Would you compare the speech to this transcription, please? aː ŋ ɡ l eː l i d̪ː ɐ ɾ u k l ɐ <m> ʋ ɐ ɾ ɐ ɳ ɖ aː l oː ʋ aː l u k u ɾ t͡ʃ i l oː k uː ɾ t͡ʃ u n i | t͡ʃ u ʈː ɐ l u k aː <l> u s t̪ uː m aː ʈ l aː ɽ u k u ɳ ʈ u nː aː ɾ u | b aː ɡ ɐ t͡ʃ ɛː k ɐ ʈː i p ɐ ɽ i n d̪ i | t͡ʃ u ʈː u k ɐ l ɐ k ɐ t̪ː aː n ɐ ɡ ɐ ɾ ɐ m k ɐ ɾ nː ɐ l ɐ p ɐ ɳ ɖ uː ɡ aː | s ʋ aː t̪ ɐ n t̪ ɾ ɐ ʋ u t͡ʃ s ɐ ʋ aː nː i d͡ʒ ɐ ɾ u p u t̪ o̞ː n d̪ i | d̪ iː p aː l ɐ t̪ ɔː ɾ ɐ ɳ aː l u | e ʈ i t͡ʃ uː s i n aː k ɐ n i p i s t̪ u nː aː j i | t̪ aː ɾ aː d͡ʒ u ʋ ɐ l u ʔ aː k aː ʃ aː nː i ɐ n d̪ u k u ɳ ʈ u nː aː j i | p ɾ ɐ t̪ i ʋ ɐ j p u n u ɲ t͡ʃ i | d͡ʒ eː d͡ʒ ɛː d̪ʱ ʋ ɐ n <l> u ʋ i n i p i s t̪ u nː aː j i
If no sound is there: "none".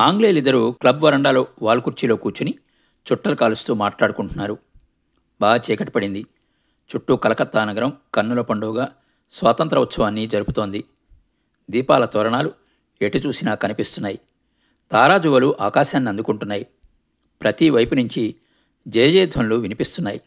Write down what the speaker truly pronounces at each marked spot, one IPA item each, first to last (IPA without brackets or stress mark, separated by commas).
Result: b, l, l